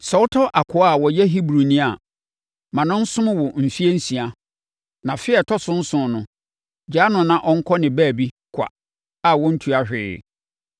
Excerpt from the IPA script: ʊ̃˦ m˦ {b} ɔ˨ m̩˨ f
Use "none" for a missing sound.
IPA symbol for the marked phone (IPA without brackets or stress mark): w